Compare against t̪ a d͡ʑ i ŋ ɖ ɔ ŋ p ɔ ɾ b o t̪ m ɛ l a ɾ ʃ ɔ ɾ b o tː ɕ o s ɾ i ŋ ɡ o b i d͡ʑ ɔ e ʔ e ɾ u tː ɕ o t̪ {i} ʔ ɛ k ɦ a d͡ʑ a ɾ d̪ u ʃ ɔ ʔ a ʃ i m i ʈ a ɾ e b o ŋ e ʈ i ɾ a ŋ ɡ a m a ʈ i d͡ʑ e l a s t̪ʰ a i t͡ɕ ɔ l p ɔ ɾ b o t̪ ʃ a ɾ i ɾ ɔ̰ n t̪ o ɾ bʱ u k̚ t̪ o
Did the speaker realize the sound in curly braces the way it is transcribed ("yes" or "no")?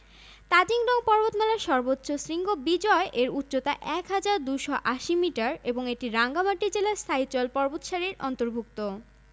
no